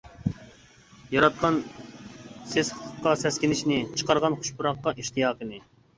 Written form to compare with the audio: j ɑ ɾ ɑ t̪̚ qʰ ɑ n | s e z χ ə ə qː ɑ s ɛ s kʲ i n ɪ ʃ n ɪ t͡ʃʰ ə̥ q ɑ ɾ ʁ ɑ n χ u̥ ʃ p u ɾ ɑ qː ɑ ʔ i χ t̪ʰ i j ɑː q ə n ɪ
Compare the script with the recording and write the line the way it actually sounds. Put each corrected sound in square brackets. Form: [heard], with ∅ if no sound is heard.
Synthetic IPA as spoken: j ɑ ɾ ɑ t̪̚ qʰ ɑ n | s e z χ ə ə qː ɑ s ɛ s kʲ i n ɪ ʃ n ɪ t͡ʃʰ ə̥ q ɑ ɾ ʁ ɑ n χ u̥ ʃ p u ɾ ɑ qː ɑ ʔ i [ʃ] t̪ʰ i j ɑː q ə n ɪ